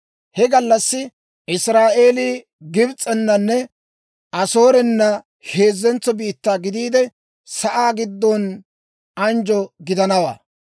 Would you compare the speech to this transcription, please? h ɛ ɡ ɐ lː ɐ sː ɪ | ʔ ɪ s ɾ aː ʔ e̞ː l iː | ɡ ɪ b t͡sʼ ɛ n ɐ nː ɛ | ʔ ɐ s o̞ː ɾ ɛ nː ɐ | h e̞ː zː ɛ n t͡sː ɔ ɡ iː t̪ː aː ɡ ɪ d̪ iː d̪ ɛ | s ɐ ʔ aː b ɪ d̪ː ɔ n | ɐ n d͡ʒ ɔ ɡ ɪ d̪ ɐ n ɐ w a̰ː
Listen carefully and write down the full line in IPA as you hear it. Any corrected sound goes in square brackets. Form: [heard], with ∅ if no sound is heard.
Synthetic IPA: h ɛ ɡ ɐ lː ɐ sː ɪ | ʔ ɪ s ɾ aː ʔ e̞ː l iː | ɡ ɪ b t͡sʼ ɛ [nː] ɐ nː ɛ | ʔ ɐ s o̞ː ɾ ɛ nː ɐ | h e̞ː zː ɛ n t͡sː ɔ [b] iː t̪ː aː ɡ ɪ d̪ iː d̪ ɛ | s ɐ ʔ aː [ɡ] ɪ d̪ː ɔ n | ɐ n d͡ʒ ɔ ɡ ɪ d̪ ɐ n ɐ w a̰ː